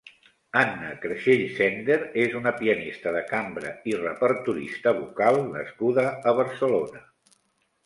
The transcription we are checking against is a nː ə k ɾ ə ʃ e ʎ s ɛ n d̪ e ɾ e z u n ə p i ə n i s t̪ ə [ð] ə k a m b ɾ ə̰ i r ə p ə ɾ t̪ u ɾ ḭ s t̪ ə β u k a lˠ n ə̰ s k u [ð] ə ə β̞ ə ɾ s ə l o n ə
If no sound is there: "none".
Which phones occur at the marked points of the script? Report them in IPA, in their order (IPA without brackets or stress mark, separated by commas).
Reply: ð, ð